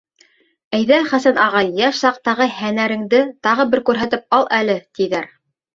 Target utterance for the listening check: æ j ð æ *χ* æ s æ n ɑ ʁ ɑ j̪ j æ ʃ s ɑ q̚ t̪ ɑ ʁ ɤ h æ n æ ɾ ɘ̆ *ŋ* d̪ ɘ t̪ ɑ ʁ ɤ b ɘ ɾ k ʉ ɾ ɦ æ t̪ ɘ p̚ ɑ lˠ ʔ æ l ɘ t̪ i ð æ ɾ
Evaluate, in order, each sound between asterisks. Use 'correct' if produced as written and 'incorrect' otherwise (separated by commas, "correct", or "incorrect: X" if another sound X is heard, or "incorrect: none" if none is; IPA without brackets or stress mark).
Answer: correct, correct